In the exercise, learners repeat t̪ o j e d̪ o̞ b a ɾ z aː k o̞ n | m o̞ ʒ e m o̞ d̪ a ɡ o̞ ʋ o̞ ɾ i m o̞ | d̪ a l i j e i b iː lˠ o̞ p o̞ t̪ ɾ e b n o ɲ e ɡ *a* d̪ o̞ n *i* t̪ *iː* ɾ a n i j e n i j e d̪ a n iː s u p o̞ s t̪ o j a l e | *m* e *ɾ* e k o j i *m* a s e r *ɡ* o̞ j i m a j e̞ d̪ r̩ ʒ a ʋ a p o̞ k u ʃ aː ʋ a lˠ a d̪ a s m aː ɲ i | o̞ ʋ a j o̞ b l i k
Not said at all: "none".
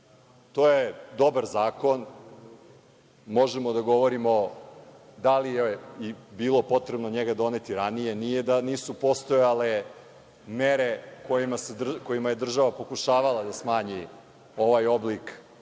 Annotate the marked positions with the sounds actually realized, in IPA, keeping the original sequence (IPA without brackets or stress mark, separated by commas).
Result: a, e, i, m, ɾ, m, k